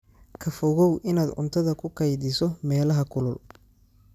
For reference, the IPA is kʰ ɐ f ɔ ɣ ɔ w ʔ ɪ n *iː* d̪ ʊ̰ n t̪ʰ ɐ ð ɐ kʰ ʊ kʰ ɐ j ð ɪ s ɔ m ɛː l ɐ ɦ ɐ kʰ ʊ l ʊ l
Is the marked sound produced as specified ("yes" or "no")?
no